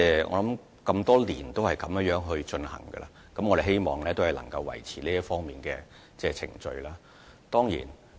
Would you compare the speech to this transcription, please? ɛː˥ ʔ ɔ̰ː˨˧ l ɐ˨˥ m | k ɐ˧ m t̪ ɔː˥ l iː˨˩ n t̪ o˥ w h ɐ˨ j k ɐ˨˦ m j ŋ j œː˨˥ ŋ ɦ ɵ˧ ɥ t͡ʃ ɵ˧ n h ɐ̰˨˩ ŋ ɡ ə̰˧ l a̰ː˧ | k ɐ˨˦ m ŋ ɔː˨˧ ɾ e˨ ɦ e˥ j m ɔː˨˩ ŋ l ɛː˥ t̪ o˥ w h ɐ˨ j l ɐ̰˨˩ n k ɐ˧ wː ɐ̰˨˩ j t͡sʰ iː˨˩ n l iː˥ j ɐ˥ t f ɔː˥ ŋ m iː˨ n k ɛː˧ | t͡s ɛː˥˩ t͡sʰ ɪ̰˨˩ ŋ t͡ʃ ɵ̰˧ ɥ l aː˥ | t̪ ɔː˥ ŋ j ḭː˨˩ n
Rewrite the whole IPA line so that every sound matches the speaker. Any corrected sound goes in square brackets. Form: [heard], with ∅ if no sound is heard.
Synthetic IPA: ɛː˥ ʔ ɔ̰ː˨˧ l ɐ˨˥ m | k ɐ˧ m t̪ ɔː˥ l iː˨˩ n t̪ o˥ w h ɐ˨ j k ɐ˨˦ m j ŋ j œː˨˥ ŋ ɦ ɵ˧ ɥ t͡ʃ ɵ˧ n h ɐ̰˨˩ ŋ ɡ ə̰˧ l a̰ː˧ | k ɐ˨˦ m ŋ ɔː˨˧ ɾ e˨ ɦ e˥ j m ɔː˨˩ ŋ l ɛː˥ t̪ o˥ w h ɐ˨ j l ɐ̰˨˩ [ŋ] k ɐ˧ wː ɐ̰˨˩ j t͡sʰ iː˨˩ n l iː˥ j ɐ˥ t f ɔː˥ ŋ m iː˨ n k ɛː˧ | t͡s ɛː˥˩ t͡sʰ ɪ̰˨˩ ŋ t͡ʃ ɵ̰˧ ɥ l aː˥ | t̪ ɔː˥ ŋ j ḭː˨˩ n

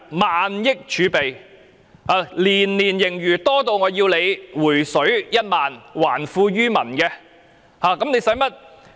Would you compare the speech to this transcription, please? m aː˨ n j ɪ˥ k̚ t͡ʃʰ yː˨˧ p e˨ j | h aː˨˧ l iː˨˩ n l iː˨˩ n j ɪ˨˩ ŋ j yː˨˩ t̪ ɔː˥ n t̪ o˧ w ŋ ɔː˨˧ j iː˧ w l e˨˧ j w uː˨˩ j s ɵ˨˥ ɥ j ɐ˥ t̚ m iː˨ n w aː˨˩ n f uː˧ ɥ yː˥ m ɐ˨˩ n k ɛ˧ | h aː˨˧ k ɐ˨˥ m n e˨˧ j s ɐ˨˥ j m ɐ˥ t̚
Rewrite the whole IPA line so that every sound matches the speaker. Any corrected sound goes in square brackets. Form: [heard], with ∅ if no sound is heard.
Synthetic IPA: m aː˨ n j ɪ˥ k̚ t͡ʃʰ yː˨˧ p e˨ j | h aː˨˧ l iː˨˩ n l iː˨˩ n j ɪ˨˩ ŋ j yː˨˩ t̪ ɔː˥ [∅] t̪ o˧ w ŋ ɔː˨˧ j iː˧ w l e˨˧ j w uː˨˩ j s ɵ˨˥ ɥ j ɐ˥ t̚ m [aː˨] n w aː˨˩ n f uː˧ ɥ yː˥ m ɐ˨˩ n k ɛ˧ | h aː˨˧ k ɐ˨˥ m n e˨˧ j s ɐ˨˥ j m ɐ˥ t̚

